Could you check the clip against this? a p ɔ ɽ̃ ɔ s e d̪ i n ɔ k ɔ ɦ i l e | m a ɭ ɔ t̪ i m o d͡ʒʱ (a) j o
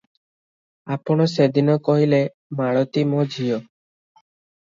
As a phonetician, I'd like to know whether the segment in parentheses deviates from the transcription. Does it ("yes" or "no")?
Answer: yes